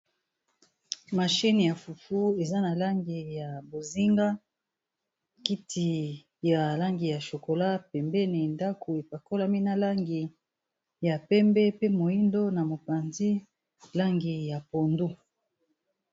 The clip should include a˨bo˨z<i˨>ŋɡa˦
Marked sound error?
yes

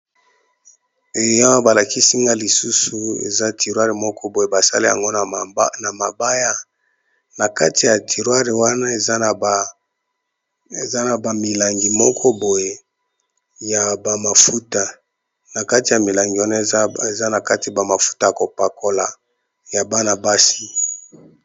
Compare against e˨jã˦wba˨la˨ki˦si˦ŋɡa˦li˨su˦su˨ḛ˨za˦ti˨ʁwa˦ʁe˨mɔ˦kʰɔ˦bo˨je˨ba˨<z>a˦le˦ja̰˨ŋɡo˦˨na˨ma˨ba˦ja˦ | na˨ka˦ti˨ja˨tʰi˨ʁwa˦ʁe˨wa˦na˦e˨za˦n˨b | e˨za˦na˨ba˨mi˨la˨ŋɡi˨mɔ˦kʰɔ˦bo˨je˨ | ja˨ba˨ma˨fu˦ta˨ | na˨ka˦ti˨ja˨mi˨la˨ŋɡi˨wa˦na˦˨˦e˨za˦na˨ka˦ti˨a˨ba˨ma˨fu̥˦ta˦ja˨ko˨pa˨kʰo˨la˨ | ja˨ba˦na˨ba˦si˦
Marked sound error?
yes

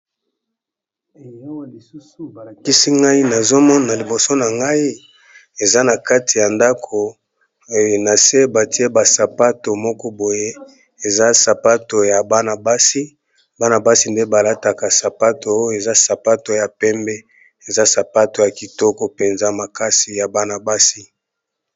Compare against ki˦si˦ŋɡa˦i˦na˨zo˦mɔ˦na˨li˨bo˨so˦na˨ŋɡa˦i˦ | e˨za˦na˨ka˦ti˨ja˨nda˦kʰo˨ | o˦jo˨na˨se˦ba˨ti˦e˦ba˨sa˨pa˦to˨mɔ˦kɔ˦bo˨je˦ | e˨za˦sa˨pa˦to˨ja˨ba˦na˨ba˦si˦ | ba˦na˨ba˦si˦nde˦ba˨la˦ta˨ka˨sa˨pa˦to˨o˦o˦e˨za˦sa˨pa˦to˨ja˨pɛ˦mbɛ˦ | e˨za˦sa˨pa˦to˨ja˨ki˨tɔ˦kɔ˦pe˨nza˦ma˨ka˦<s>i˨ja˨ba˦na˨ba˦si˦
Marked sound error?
no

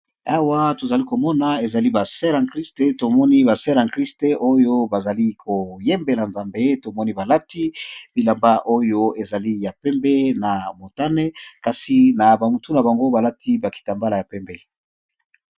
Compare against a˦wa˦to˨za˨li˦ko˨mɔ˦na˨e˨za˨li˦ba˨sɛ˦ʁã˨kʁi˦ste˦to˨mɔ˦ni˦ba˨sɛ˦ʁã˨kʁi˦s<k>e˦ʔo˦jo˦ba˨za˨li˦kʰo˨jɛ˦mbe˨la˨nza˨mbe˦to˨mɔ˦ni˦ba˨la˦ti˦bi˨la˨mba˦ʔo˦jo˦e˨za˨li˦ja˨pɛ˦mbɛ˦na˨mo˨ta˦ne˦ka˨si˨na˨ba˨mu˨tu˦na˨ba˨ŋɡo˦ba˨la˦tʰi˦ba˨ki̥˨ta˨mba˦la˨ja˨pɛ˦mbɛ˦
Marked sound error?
yes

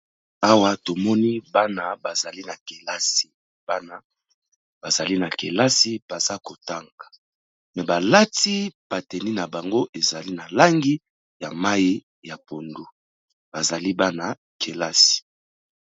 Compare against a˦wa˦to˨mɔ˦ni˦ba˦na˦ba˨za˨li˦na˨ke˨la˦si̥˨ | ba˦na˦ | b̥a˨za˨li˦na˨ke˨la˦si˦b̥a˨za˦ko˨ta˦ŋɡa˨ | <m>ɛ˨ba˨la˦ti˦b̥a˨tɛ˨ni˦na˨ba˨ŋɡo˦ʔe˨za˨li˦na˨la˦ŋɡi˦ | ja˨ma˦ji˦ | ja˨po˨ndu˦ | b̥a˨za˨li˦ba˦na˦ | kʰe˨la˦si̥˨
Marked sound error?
no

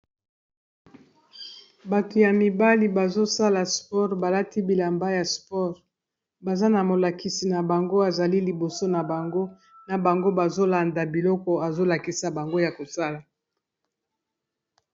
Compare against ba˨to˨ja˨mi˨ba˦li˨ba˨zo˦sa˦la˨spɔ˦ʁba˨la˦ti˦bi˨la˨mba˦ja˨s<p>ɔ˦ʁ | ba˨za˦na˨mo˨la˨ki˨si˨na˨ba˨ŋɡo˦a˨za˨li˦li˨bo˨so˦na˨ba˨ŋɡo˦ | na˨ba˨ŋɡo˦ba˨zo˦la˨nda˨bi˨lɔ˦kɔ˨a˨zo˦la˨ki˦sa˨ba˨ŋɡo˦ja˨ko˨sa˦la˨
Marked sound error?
no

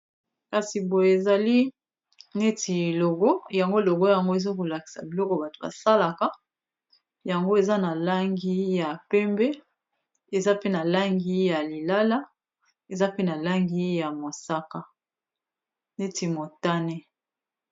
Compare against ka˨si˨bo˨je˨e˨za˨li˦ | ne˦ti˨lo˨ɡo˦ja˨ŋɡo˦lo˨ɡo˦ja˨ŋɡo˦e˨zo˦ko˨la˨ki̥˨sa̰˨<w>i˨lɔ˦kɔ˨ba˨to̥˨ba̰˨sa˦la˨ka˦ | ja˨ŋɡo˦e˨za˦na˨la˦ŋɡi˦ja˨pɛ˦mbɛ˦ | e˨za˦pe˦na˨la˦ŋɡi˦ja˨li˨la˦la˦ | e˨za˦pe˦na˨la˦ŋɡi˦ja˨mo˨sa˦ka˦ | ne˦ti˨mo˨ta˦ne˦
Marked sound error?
yes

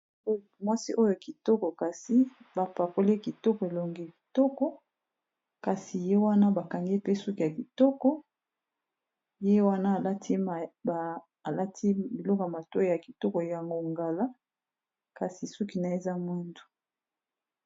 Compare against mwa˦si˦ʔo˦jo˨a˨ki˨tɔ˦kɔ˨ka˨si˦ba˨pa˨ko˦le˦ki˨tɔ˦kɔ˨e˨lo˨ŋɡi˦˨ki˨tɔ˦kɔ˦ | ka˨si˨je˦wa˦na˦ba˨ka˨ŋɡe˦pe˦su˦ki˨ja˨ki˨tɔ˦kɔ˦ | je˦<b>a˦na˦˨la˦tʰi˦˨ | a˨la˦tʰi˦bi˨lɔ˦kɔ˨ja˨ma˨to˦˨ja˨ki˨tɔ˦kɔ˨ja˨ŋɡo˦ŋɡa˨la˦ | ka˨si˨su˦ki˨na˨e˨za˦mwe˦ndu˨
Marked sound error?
yes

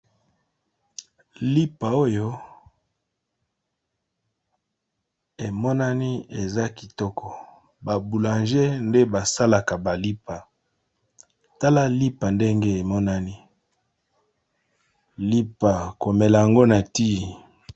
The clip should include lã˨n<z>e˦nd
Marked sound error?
yes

